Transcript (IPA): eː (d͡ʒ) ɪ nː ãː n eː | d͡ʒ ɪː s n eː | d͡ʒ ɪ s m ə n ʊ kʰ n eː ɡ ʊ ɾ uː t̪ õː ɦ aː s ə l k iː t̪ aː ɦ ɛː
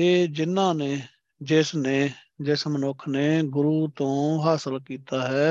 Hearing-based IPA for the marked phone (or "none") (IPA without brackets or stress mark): d͡ʒ